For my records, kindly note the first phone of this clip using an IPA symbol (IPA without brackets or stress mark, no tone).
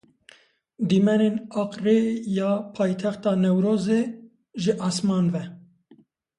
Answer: d̪